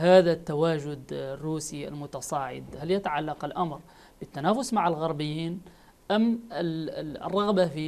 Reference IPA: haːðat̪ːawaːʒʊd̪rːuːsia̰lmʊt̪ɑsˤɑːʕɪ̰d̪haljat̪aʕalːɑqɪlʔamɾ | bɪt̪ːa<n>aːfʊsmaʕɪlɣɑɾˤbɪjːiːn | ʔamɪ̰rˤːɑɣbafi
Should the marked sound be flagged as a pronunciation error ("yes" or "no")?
no